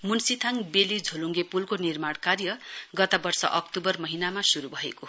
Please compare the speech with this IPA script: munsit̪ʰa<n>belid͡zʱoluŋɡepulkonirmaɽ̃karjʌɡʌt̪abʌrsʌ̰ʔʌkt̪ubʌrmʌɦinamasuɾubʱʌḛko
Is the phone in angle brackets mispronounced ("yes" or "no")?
yes